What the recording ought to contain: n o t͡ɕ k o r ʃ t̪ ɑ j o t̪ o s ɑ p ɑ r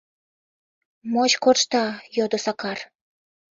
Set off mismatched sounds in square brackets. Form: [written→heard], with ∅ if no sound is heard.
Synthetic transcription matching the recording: [n→m] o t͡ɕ k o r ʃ t̪ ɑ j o [t̪→d̪] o s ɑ [p→k] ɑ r